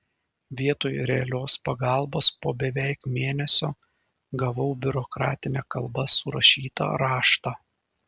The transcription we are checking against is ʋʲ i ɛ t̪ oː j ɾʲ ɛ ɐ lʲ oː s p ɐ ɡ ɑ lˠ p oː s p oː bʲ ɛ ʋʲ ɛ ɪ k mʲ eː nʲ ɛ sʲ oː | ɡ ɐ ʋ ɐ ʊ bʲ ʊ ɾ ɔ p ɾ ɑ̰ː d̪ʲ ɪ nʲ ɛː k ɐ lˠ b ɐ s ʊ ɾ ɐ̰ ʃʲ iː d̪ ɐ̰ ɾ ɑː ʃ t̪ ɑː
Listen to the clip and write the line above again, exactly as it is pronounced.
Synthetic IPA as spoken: ʋʲ i ɛ t̪ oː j ɾʲ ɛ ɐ lʲ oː s p ɐ ɡ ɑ lˠ b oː s p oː bʲ ɛ ʋʲ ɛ ɪ k mʲ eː nʲ ɛ sʲ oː | ɡ ɐ ʋ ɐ ʊ bʲ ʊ ɾ ɔ k ɾ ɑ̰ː t̪ʲ ɪ nʲ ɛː k ɐ lˠ b ɐ s ʊ ɾ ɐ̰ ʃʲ iː t̪ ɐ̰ ɾ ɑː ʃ t̪ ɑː